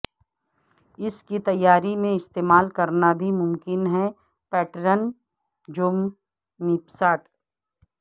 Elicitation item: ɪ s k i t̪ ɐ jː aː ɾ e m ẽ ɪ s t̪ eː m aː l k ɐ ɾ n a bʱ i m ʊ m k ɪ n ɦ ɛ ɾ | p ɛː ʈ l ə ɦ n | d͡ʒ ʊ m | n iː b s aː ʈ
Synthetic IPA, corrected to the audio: ɪ s k i t̪ ɐ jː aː ɾ i m ẽ ɪ s t̪ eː m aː l k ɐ ɾ n a bʱ i m ʊ m k ɪ n ɦ ɛ | p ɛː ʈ ɾ ə n | d͡ʒ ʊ m | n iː p s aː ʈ